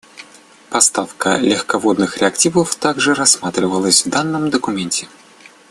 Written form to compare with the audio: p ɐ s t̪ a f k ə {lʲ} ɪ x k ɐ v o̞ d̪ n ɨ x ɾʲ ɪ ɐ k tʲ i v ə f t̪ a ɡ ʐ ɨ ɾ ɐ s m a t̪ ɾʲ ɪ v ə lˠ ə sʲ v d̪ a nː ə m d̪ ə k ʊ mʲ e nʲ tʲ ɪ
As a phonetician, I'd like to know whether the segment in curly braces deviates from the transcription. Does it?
no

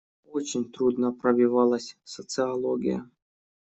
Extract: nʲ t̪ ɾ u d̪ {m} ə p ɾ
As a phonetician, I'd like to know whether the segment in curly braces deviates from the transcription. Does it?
yes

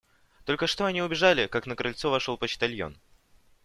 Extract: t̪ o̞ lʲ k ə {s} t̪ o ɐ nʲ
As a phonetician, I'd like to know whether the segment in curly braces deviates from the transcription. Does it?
yes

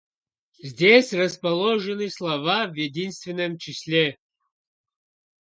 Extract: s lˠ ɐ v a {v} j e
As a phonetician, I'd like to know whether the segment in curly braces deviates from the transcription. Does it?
no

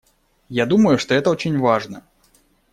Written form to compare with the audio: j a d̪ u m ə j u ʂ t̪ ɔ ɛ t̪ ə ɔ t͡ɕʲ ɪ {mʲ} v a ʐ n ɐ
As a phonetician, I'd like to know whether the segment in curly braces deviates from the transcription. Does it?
yes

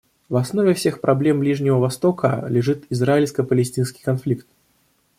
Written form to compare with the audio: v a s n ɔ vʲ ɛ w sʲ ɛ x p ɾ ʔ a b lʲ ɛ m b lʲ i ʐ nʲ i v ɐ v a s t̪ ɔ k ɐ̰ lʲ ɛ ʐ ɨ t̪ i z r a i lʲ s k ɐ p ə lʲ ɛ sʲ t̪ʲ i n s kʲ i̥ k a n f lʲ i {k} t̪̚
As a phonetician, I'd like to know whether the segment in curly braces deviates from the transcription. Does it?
no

